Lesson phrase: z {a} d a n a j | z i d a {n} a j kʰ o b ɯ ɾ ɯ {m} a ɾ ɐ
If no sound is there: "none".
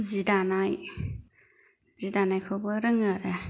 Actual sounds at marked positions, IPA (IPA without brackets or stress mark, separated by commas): i, n, ŋ